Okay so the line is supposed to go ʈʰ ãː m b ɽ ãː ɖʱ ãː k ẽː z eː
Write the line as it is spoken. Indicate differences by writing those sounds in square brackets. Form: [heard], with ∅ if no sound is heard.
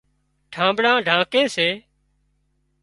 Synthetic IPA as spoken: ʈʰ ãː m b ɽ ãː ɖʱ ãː k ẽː [s] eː